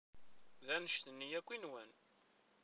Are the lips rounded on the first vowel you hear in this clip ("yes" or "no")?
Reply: no